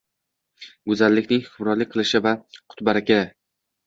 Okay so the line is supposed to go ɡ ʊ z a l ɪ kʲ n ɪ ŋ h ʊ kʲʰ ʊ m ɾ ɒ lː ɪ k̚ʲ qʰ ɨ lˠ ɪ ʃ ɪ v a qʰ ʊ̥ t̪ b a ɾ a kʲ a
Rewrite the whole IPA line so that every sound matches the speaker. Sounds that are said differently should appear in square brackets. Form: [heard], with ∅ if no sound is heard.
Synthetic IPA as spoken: ɡ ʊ z a [lː] ɪ kʲ n ɪ ŋ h ʊ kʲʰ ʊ m ɾ ɒ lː ɪ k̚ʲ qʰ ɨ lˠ ɪ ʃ ɪ v a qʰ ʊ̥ t̪ b a ɾ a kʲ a